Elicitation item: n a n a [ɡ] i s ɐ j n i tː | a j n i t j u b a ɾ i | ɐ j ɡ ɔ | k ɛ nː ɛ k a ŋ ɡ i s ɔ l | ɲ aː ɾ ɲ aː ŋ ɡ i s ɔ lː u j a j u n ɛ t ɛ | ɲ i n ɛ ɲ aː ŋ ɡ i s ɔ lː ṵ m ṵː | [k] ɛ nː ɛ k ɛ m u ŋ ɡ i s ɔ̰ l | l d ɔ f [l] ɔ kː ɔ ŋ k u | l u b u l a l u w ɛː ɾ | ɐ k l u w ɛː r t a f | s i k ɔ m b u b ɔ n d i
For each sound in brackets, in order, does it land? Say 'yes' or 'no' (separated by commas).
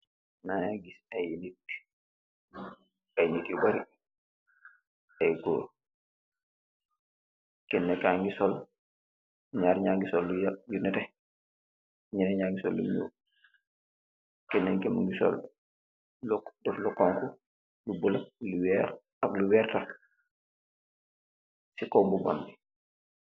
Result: yes, yes, yes